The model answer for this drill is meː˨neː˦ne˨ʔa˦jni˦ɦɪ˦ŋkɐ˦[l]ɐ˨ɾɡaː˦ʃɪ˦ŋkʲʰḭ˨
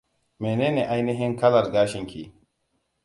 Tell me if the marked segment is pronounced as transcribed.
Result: yes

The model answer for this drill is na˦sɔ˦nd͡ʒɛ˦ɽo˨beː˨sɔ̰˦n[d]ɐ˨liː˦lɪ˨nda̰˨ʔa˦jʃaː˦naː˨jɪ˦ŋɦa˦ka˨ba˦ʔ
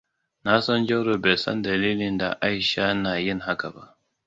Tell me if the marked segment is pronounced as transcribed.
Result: yes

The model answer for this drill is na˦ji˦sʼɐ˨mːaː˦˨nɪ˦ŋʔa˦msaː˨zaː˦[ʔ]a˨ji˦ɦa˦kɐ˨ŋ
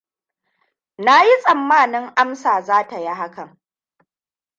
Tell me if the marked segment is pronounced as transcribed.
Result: no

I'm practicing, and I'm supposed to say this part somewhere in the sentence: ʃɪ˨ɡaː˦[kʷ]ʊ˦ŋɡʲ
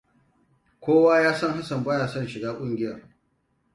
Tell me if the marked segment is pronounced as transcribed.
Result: no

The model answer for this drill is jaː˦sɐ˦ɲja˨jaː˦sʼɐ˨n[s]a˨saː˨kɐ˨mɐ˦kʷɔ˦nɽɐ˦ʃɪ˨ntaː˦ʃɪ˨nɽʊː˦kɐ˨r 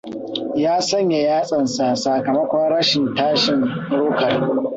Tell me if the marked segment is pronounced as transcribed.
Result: yes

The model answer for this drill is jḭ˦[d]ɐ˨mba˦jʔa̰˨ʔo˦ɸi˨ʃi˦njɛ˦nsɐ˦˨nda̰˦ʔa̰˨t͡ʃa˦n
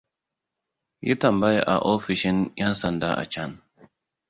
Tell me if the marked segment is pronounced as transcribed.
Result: no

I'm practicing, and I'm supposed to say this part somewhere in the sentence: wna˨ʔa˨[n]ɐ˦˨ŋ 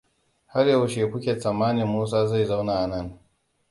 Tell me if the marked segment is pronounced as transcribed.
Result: yes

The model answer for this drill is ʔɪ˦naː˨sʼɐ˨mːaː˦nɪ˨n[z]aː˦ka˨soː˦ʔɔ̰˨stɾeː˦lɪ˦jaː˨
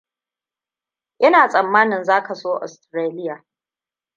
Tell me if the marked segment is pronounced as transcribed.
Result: yes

